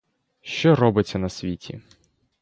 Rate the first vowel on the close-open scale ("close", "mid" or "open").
mid